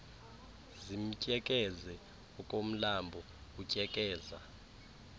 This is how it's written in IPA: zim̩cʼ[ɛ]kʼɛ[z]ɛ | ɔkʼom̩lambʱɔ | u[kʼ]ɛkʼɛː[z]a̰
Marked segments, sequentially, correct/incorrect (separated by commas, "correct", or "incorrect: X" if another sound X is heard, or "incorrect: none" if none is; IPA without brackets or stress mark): correct, correct, incorrect: cʼ, correct